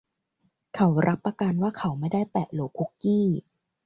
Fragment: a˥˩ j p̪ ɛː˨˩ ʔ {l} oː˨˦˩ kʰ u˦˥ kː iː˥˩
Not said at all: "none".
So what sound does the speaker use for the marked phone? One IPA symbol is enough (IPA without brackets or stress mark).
l